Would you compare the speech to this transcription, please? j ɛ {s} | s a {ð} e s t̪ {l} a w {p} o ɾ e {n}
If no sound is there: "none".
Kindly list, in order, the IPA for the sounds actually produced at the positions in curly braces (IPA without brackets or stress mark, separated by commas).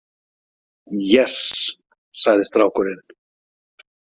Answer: s, ð, ɾ, k, n